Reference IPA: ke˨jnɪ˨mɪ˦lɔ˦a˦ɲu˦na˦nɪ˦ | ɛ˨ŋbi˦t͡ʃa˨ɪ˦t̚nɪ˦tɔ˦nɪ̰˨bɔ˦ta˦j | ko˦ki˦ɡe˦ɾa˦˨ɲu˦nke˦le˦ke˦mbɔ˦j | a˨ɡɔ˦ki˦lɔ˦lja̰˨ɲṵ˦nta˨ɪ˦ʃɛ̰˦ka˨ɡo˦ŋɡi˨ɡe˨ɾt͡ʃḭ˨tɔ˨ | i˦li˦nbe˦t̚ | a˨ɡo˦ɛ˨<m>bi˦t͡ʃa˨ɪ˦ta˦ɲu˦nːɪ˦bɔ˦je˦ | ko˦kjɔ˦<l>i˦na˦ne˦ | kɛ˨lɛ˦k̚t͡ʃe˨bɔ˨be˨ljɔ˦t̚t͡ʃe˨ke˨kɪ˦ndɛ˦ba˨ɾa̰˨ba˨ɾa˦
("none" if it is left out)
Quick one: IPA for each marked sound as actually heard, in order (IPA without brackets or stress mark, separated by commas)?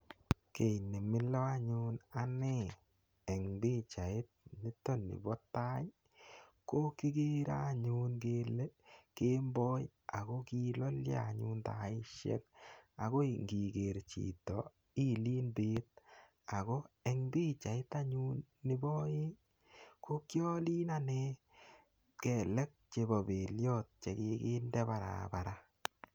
ŋ, l